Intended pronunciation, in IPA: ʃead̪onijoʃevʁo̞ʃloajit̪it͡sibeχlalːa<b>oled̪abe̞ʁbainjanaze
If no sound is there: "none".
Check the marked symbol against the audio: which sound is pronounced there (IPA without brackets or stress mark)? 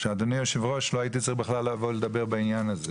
v